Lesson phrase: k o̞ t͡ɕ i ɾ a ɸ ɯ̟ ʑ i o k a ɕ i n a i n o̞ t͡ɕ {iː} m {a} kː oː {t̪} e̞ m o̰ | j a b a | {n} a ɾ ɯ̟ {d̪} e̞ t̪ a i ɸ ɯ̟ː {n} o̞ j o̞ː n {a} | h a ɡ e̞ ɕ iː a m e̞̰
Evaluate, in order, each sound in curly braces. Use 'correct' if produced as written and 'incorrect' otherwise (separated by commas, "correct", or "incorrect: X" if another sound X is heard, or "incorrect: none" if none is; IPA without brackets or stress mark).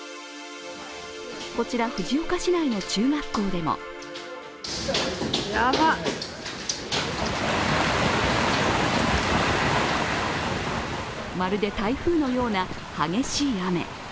incorrect: ɨː, correct, incorrect: d̪, incorrect: m, correct, correct, correct